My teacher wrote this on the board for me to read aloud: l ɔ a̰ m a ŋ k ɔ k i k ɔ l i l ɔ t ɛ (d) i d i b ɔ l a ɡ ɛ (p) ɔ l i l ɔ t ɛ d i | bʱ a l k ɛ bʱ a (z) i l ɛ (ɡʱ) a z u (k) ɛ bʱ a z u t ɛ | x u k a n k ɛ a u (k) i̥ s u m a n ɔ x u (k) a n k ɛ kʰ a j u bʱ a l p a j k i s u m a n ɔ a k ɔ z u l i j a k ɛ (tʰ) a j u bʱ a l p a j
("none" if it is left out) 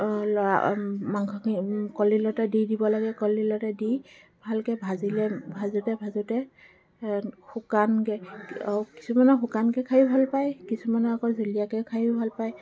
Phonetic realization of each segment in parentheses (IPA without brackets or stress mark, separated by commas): d, k, z, bʱ, t, k, k, kʰ